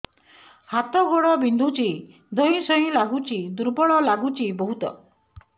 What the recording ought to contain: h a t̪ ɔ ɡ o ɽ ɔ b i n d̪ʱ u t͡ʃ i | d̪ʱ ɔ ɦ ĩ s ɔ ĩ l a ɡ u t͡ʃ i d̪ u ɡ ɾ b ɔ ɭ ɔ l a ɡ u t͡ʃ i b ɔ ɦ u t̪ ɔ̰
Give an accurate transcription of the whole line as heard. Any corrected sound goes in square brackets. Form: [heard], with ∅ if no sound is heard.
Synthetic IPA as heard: h a t̪ ɔ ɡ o ɽ ɔ b i n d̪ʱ u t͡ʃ i | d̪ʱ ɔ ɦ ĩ s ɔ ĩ l a ɡ u t͡ʃ i d̪ u [∅] ɾ b ɔ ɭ ɔ l a ɡ u t͡ʃ i b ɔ ɦ u t̪ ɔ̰

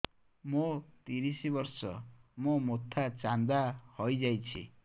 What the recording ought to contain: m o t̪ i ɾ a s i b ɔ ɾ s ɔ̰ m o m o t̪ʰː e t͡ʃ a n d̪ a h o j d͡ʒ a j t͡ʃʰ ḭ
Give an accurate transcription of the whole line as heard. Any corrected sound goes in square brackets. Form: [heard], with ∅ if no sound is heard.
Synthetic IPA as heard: m o t̪ i ɾ [i] s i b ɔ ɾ s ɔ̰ m o m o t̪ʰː [a] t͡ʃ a n d̪ a h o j d͡ʒ a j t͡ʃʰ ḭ

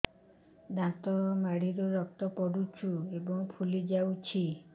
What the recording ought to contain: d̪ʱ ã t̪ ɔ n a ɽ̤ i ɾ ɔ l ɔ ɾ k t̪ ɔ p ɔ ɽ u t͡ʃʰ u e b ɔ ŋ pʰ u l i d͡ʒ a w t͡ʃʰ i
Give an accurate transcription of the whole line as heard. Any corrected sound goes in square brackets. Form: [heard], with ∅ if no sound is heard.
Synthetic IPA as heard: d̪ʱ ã t̪ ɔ [m] a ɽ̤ i ɾ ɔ [ɾ] ɔ [∅] k t̪ ɔ p ɔ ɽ u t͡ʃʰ u e b ɔ ŋ pʰ u l i d͡ʒ a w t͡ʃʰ i

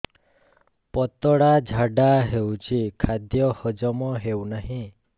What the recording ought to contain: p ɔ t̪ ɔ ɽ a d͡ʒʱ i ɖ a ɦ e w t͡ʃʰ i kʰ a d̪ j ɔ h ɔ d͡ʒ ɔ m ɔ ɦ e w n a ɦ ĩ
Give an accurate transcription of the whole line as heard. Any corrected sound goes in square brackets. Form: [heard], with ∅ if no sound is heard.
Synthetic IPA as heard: p ɔ t̪ ɔ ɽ a d͡ʒʱ [a] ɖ a ɦ e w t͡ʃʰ i kʰ a d̪ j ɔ h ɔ d͡ʒ ɔ m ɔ ɦ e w n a ɦ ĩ

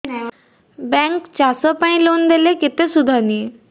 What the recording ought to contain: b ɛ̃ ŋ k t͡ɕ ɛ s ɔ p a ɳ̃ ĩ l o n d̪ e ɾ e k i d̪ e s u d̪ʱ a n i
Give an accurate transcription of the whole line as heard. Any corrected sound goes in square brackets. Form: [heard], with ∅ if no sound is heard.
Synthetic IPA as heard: b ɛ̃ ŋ k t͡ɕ [a] s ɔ p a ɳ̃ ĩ l o n d̪ e [l] e k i [t̪] e s u d̪ʱ a n i

